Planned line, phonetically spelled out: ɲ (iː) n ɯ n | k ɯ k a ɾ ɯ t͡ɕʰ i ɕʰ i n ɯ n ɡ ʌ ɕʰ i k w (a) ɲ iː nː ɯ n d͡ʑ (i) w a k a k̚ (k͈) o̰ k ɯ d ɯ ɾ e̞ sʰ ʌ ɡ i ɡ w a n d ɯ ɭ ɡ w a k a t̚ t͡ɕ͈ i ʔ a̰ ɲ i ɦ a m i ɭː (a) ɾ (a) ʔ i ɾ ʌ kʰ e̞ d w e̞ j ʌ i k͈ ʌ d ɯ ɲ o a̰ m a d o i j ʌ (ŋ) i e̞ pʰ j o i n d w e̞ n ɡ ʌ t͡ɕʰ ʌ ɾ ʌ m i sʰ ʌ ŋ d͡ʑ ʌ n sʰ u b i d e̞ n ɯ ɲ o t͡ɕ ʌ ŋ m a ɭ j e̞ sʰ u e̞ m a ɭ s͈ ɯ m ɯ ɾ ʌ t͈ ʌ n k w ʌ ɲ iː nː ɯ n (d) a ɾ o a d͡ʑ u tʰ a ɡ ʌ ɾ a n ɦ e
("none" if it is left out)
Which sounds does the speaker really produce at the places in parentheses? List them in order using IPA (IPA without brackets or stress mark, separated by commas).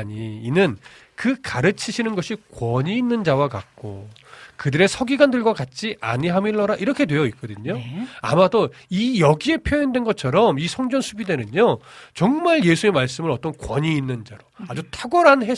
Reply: iː, ʌ, a, k͈, ʌ, a, ɡ, d͡ʑ